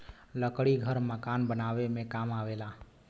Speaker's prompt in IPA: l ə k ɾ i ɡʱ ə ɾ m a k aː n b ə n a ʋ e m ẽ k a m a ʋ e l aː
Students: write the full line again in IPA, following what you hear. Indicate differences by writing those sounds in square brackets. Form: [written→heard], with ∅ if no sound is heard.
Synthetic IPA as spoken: l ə k [ɾ→ɽ] i ɡʱ ə ɾ m [a→ə] k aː n b ə n a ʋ e m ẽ k a m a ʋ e l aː